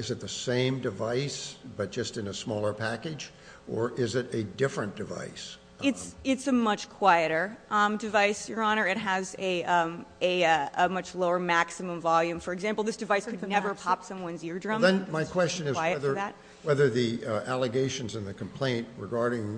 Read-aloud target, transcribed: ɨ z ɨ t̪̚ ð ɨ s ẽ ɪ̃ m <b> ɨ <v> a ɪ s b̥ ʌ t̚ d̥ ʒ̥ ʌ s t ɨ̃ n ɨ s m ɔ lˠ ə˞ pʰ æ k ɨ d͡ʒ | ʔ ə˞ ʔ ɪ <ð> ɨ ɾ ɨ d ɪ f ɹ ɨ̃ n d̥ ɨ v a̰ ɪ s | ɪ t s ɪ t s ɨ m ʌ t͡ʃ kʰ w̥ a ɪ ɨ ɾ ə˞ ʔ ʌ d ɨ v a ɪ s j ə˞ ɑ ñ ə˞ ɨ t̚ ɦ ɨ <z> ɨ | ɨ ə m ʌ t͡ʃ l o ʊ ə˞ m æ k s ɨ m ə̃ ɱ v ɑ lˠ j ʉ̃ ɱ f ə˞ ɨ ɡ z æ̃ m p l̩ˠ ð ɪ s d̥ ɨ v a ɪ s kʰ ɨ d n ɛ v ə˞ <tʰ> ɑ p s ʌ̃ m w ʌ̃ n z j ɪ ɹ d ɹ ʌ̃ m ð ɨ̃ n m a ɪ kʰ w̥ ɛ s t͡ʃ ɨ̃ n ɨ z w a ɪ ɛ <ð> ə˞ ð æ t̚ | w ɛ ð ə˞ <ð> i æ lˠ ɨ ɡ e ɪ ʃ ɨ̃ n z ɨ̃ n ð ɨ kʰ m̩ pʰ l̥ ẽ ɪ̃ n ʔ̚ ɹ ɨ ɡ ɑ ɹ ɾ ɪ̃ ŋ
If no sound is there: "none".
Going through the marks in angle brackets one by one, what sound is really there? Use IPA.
d, v, z, z, pʰ, ð, ð

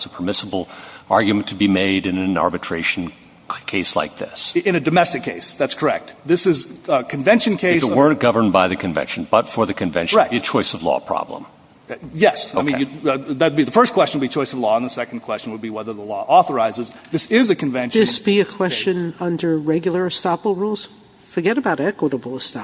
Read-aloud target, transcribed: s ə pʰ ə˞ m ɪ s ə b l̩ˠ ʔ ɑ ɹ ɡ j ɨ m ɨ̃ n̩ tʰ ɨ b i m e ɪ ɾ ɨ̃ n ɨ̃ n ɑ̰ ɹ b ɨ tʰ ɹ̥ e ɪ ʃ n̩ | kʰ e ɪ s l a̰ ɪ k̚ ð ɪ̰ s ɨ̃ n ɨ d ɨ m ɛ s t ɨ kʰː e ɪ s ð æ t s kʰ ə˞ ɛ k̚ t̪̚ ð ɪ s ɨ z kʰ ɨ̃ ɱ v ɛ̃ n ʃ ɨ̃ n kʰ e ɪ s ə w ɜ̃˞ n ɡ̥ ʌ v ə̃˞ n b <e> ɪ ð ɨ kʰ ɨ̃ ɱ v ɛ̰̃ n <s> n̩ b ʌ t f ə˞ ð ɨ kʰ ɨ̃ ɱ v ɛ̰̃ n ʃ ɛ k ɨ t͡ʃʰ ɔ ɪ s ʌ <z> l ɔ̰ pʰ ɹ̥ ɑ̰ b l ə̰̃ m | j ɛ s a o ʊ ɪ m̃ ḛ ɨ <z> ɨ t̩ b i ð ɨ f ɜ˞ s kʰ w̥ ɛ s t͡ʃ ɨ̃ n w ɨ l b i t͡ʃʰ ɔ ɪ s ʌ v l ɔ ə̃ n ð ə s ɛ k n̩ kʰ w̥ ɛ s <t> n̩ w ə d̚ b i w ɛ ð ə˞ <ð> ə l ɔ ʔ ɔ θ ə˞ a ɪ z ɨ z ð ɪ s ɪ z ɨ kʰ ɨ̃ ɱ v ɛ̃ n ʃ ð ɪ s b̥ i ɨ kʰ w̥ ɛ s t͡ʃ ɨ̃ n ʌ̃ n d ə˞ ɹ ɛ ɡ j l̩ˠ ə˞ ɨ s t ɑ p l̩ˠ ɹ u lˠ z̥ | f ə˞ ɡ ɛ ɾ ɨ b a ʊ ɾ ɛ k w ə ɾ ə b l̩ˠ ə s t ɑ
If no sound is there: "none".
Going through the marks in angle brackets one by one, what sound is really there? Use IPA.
a, ʃ, v, ð, t͡ʃ, ð

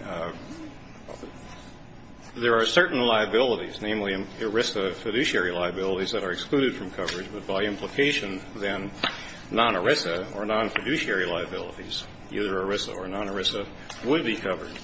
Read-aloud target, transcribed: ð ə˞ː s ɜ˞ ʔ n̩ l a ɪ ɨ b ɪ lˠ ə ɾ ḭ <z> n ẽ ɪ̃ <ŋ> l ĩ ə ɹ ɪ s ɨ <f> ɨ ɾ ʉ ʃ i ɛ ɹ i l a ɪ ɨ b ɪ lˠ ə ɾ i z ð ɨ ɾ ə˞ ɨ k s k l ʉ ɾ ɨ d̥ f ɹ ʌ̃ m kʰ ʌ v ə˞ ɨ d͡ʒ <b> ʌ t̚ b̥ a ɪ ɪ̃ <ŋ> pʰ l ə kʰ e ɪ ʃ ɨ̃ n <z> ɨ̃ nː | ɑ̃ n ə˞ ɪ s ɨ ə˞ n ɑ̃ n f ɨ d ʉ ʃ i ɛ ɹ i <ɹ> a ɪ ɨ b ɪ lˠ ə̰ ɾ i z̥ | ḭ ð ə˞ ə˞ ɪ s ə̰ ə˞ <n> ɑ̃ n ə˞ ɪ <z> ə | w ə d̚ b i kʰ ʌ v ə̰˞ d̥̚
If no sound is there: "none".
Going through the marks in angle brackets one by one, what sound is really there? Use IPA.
z, m, f, b, m, ð, l, n, s

